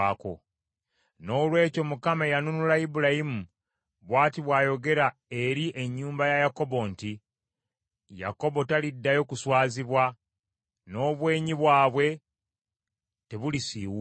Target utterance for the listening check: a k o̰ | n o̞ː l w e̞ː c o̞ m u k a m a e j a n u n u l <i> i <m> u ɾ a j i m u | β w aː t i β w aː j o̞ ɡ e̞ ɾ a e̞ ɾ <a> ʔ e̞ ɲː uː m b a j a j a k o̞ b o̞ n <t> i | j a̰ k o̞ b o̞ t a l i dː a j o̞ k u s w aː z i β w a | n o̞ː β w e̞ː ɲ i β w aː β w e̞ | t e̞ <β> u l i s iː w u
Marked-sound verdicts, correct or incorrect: incorrect: a, incorrect: b, incorrect: i, correct, correct

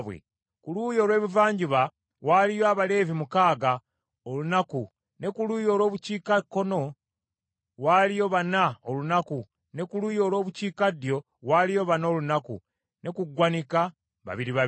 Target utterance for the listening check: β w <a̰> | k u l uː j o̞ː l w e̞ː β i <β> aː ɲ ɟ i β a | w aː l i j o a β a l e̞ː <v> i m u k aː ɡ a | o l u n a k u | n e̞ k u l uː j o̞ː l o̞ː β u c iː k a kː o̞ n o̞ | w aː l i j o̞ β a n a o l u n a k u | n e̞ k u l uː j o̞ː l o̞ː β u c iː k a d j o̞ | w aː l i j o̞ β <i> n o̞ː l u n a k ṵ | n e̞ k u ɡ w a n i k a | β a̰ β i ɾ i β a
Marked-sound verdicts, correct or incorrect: incorrect: ḛ, incorrect: v, correct, incorrect: a

